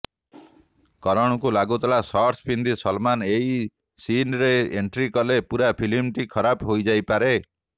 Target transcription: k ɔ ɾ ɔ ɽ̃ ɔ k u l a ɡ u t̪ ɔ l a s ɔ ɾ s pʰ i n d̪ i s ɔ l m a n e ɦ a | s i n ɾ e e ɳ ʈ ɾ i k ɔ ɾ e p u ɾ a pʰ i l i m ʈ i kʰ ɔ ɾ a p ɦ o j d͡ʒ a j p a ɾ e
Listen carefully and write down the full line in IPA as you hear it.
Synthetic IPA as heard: k ɔ ɾ ɔ ɽ̃ ɔ k u l a ɡ u t̪ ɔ l a s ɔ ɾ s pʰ i n d̪ i s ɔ l m a n e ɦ i | s i n ɾ e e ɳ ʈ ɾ i k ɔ l e p u ɾ a pʰ i l i m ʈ i kʰ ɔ ɾ a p ɦ o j d͡ʒ a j p a ɾ e